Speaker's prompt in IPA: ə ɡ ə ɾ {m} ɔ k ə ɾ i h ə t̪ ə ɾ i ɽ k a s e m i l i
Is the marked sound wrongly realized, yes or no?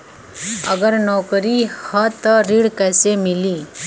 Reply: yes